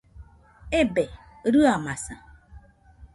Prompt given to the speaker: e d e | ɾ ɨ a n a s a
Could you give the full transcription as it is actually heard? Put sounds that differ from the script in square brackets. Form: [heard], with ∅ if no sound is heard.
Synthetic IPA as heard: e [b] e | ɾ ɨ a [m] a s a